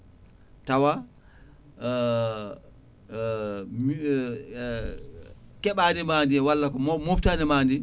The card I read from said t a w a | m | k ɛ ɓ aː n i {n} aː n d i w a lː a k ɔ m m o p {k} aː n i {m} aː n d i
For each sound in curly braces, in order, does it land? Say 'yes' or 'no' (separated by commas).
no, no, yes